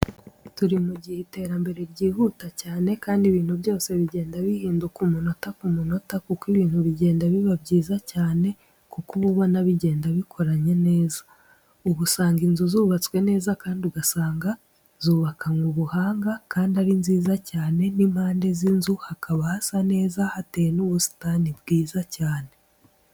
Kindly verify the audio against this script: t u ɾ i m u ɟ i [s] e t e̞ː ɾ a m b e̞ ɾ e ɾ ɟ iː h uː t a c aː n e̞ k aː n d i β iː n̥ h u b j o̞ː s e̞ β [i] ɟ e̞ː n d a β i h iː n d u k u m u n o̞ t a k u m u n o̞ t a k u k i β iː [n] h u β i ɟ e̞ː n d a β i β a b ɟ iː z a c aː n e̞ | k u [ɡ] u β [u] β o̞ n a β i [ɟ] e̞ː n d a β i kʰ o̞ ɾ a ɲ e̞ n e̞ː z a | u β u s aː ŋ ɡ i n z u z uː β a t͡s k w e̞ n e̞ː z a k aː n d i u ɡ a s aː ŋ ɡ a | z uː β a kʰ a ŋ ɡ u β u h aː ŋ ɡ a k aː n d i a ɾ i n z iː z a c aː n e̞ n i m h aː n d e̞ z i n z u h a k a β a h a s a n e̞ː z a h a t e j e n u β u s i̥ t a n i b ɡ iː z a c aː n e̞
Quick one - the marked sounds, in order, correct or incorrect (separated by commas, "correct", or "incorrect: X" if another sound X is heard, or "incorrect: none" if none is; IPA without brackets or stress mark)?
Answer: incorrect: h, correct, correct, incorrect: k, correct, correct